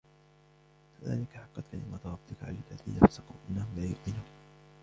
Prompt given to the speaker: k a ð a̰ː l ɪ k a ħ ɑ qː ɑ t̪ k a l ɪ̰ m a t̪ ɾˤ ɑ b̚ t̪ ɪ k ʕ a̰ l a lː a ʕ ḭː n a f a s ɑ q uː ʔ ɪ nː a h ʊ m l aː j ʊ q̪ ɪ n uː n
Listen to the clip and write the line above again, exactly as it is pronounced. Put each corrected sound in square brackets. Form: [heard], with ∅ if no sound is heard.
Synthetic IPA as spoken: k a ð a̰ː l ɪ k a ħ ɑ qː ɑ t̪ k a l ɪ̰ m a t̪ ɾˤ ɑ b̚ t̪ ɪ k ʕ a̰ l a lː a [ð] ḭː n a f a s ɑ q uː ʔ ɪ nː a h ʊ m l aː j ʊ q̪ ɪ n uː n